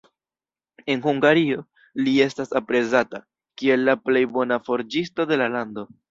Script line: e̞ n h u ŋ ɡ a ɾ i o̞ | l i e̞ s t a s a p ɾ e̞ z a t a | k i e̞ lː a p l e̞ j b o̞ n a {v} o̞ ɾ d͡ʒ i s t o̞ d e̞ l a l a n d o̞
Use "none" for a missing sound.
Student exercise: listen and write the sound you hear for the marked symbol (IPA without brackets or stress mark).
f